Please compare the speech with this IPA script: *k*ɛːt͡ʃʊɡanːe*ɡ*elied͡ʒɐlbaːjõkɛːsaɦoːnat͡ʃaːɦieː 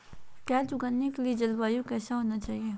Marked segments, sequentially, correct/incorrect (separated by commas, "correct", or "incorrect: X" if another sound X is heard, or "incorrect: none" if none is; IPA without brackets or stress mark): correct, incorrect: k